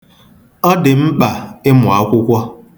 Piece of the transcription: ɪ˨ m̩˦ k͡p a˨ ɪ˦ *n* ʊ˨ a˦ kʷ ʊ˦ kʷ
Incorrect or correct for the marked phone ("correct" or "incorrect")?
incorrect